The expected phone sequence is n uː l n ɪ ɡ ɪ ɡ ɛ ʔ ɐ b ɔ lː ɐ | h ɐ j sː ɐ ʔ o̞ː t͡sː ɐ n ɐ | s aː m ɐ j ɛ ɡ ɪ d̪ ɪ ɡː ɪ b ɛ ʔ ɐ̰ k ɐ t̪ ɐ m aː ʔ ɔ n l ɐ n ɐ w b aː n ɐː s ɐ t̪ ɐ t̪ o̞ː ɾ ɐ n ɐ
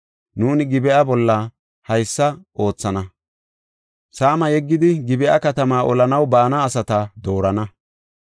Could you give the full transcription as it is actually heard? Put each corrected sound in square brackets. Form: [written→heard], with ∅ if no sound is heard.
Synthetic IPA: n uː [l→∅] n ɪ ɡ ɪ [ɡ→b] ɛ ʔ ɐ b ɔ lː ɐ | h ɐ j sː ɐ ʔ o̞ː t͡sː ɐ n ɐ | s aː m ɐ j ɛ [ɡ→ɡː] ɪ d̪ ɪ [ɡː→ɡ] ɪ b ɛ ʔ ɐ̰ k ɐ t̪ ɐ m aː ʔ ɔ [n→∅] l ɐ n ɐ w b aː n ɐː s ɐ t̪ ɐ [t̪→d̪] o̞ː ɾ ɐ n ɐ